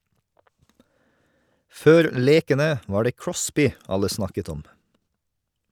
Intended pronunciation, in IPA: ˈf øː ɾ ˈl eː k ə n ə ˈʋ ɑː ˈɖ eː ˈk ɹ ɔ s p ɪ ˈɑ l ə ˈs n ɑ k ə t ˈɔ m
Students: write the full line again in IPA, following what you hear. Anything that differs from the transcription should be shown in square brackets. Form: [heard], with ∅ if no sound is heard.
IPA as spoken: ˈf øː ɾ ˈl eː k ə n ə ˈʋ ɑː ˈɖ eː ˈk ɹ ɔ s p ɪ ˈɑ l ə ˈs n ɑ k ə t ˈɔ m